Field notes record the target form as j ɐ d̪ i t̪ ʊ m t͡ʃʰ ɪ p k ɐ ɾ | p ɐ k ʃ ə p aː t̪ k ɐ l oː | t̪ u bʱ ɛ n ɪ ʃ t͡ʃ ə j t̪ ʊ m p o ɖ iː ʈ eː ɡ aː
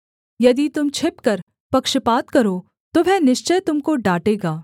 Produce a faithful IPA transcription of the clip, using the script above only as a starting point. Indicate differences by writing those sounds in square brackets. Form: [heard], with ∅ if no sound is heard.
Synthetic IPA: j ɐ d̪ i t̪ ʊ m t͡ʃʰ ɪ p k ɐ ɾ | p ɐ k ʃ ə p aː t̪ k ɐ [ɾ] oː | t̪ [o] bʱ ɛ n ɪ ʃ t͡ʃ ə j t̪ ʊ m [k] o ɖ [aː] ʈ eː ɡ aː